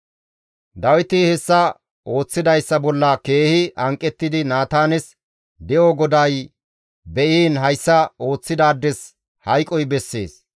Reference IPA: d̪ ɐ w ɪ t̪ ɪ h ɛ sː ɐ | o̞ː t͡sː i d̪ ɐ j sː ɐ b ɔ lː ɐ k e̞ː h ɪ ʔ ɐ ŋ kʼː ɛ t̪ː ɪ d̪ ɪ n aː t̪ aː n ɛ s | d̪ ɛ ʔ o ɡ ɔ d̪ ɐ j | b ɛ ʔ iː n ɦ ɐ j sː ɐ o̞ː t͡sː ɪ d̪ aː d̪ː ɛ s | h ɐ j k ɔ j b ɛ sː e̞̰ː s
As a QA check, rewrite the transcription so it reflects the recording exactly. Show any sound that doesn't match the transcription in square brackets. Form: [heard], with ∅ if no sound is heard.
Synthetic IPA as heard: d̪ ɐ w ɪ t̪ ɪ h ɛ sː ɐ | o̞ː t͡sː [ɪ] d̪ ɐ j sː ɐ b ɔ lː ɐ k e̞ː h ɪ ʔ ɐ ŋ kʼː ɛ t̪ː ɪ d̪ ɪ n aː t̪ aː n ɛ s | d̪ ɛ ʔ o ɡ ɔ d̪ ɐ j | b ɛ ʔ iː n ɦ ɐ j sː ɐ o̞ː t͡sː ɪ d̪ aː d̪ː ɛ s | h ɐ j [kʼ] ɔ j b ɛ sː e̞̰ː s